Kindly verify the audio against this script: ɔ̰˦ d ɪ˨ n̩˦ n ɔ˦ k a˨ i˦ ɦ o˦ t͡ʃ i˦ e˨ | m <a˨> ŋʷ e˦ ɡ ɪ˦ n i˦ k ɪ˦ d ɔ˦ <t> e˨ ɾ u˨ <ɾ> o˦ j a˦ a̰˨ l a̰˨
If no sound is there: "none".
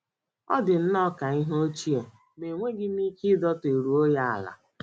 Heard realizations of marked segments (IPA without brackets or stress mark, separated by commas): e˨, t, none